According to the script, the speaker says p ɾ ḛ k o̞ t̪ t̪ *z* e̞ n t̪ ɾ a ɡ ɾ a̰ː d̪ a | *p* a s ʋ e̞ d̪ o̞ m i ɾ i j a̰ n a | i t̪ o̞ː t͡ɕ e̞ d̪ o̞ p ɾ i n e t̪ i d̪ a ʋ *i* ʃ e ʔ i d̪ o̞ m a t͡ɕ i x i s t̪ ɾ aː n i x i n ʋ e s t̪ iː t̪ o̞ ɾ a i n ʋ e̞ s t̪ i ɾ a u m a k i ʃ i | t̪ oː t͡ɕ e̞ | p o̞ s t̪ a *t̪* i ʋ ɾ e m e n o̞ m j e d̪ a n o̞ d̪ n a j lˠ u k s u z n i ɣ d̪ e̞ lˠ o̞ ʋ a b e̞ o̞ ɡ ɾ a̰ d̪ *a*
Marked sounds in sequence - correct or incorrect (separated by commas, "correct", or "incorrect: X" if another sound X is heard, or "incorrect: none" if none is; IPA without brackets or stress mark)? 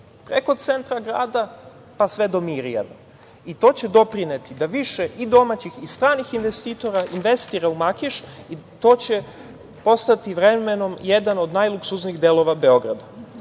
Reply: incorrect: s, correct, correct, correct, correct